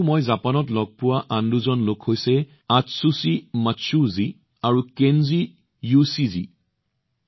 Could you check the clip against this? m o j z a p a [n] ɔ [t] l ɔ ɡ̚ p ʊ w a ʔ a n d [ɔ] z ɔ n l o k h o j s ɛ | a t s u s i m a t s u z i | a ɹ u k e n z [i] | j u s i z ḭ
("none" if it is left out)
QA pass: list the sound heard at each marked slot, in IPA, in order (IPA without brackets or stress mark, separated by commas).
n, t, u, i